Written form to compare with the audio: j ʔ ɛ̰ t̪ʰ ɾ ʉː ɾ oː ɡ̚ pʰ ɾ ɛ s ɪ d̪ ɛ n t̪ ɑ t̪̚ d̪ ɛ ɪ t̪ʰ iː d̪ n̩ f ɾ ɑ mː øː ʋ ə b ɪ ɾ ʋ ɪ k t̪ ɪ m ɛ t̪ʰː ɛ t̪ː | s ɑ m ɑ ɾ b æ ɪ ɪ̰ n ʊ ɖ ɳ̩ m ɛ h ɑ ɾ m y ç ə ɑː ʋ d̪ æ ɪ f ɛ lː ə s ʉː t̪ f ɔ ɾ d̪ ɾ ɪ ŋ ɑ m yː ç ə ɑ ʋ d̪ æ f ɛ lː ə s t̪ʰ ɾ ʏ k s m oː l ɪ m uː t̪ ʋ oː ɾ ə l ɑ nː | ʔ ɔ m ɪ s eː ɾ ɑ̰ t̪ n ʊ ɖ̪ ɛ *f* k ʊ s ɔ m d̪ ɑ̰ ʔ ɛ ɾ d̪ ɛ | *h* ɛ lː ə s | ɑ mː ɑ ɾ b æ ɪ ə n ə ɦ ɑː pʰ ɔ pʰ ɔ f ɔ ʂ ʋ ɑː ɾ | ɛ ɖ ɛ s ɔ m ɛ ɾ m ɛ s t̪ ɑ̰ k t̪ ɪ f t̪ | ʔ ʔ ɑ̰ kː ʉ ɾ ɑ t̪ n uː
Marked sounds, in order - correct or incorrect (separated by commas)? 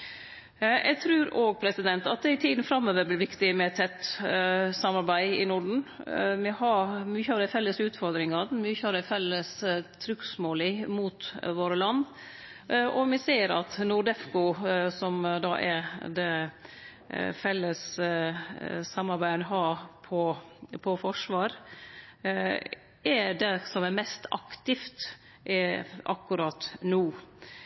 correct, incorrect